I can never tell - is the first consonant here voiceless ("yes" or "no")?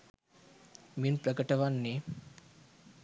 no